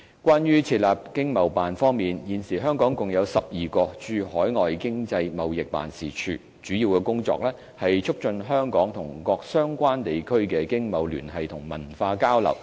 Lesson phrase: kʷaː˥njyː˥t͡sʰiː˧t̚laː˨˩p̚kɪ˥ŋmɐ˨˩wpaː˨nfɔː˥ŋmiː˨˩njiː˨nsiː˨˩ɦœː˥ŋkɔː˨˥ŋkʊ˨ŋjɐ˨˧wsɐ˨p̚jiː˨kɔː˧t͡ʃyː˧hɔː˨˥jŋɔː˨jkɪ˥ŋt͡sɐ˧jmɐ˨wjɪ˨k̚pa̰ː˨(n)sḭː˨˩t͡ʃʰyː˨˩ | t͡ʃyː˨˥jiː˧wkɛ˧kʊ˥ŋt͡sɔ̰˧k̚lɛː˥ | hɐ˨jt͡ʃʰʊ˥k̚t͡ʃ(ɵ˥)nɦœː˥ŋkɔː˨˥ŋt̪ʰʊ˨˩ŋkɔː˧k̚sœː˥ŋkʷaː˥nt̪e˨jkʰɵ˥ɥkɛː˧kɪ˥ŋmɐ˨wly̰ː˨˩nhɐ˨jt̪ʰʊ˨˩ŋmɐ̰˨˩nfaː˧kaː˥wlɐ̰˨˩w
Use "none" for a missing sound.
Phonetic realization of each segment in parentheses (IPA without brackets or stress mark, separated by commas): n, ɵ˧